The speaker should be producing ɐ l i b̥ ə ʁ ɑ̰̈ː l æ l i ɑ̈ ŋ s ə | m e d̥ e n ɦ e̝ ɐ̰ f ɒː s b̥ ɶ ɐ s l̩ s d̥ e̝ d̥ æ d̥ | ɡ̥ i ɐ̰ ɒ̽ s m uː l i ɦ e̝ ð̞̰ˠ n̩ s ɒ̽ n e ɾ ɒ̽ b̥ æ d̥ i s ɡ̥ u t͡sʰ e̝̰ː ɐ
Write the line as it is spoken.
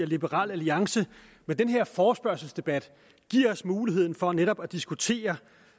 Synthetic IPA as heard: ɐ l i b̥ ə ʁ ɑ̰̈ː l æ l i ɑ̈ ŋ s ə | m e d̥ e n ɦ e̝ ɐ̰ f ɒː s b̥ ɶ ɐ s l̩ s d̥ e̝ b̥ æ d̥ | ɡ̥ i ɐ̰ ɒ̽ s m uː l i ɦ e̝ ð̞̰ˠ n̩ f ɒ̽ n e ɾ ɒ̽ b̥ æ d̥ i s ɡ̥ u t͡sʰ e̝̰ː ɐ